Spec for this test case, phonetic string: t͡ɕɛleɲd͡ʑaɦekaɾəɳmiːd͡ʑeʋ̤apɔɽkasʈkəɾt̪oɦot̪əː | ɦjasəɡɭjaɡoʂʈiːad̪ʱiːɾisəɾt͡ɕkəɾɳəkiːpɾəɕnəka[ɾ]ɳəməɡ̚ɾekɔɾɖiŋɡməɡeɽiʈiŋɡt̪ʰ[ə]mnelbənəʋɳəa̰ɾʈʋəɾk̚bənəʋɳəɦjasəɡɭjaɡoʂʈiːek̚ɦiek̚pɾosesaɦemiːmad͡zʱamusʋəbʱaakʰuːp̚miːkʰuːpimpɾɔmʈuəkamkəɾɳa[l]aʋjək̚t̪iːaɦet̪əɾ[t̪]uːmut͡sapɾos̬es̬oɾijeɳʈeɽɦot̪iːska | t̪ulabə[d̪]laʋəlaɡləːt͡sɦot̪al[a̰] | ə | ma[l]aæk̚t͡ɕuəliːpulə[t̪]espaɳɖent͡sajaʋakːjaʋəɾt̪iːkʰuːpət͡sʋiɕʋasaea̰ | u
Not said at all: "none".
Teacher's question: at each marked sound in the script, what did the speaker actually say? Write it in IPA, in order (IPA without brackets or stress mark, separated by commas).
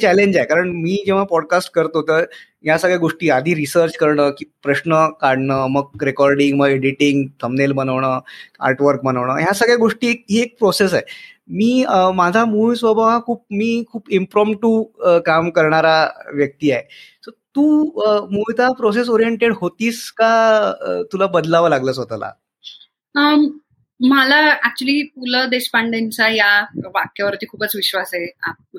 ɽ, ə, ɾ, t̪, d̪, a̰, l, d̪